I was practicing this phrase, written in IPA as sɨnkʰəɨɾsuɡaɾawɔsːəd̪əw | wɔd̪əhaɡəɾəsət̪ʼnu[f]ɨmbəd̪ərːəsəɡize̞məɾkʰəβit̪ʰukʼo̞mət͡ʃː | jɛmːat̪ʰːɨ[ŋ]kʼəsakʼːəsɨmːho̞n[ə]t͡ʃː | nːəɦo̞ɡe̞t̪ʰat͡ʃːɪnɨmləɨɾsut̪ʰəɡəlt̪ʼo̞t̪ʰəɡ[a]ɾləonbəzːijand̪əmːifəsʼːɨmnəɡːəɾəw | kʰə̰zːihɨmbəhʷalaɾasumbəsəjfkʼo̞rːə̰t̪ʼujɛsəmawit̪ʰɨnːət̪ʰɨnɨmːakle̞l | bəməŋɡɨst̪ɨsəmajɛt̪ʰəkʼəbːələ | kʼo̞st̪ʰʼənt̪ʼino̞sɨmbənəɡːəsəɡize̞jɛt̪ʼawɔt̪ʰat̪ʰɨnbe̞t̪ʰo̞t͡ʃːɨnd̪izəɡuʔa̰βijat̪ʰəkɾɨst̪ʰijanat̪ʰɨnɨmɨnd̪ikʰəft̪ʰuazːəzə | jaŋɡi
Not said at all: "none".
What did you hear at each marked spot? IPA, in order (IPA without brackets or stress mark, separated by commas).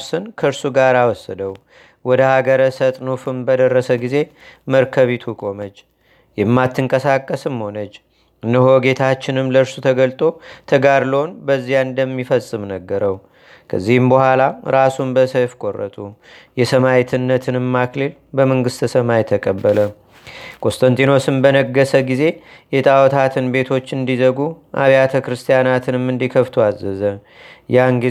f, ŋ, ə, a